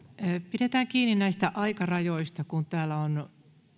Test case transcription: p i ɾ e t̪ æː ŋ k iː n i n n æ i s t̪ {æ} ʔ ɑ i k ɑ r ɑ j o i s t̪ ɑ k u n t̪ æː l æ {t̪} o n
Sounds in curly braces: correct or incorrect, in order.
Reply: correct, incorrect: none

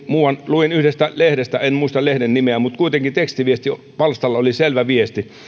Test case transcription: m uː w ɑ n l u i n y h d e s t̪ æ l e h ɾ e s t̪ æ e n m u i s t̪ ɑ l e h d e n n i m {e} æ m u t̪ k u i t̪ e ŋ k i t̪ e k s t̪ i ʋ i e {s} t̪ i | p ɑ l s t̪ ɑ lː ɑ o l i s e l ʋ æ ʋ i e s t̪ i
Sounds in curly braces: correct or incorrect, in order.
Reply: correct, correct

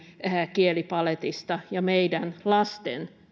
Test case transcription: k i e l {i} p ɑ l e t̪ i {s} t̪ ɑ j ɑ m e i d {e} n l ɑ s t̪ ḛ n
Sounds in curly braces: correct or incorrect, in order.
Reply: correct, correct, incorrect: æ

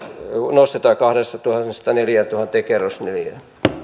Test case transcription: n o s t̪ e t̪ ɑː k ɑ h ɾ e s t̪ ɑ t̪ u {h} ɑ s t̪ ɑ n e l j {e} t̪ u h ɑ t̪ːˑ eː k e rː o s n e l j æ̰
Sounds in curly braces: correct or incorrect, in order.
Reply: correct, incorrect: æ

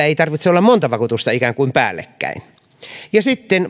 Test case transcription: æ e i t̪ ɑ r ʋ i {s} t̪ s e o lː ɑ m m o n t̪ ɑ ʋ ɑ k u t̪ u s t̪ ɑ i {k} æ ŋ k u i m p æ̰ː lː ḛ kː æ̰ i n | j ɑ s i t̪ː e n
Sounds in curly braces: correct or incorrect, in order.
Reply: incorrect: none, correct

